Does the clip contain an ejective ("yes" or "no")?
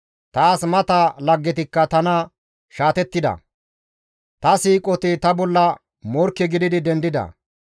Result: yes